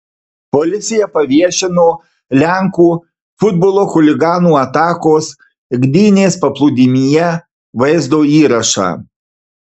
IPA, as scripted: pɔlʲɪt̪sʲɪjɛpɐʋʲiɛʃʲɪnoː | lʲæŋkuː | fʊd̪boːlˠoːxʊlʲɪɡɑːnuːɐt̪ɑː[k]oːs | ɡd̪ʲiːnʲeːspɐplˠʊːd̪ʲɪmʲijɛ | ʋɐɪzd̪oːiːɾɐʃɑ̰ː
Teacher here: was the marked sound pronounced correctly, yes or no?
yes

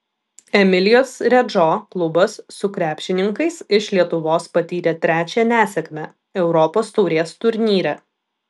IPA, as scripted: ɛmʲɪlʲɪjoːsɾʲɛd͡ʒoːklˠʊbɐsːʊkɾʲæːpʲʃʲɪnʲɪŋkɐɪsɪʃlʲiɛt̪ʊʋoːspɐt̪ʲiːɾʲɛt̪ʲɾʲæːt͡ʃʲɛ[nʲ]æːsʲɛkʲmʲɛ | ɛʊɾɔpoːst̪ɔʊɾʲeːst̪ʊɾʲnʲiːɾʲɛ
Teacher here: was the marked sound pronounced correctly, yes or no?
yes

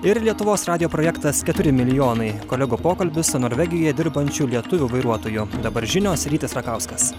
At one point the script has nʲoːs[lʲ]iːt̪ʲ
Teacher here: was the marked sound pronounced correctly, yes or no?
no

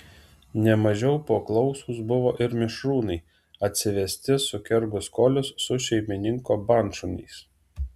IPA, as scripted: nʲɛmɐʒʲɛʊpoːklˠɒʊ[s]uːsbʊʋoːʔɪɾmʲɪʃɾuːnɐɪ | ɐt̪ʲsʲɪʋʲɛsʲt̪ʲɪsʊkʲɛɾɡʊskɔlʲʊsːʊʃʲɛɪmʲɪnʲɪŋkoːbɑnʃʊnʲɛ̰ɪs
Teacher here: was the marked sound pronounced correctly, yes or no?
yes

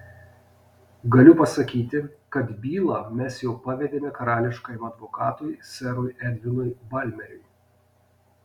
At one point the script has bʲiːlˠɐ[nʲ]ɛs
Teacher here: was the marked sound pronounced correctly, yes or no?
no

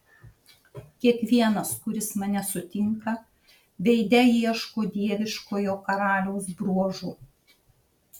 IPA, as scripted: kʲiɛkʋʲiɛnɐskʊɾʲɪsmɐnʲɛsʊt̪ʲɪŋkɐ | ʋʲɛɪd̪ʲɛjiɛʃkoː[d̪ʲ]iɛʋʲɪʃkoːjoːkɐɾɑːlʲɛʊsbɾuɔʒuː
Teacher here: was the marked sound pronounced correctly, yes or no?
yes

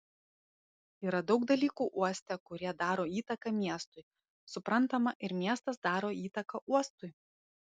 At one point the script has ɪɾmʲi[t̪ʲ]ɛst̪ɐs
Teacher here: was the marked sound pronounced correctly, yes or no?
no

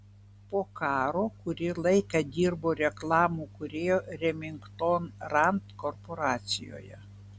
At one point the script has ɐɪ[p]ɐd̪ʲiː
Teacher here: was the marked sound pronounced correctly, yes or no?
no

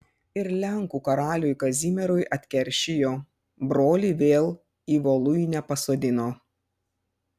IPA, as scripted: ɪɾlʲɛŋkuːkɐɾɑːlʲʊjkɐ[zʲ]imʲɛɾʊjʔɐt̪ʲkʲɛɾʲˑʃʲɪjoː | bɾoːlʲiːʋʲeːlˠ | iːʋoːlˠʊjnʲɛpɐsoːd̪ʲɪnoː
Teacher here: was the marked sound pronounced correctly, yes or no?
yes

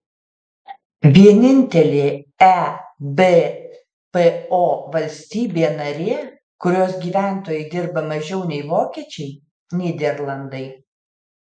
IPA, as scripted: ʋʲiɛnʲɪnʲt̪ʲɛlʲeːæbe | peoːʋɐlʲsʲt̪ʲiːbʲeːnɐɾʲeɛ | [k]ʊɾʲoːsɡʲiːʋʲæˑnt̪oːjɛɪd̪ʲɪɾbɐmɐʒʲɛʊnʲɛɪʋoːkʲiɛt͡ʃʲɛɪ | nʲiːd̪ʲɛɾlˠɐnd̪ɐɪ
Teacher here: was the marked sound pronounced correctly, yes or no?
yes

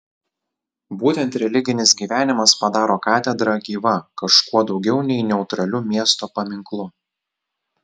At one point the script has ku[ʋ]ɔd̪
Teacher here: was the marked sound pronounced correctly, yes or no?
no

